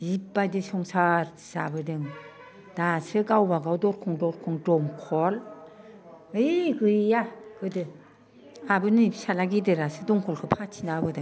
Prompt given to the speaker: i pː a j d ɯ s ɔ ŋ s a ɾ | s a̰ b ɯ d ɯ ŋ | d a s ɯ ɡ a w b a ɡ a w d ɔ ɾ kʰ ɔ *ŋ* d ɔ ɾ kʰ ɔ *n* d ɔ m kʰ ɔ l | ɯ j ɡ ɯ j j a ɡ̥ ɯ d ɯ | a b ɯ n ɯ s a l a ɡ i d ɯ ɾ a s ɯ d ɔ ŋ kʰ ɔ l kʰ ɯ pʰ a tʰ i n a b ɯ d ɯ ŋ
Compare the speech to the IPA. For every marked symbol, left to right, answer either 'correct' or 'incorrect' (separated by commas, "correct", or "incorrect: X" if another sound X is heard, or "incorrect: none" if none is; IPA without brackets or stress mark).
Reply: correct, incorrect: ŋ